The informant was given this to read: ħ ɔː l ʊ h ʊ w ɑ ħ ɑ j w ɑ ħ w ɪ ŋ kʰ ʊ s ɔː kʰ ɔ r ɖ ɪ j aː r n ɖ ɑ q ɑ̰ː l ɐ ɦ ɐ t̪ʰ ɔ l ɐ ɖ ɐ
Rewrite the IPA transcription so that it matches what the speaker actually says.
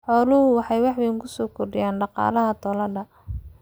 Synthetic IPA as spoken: ħ ɔː l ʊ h ʊ w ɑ ħ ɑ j w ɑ ħ w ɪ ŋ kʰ ʊ s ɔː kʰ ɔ r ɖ ɪ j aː n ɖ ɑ q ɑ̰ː l ɐ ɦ ɐ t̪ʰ ɔ l ɐ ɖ ɐ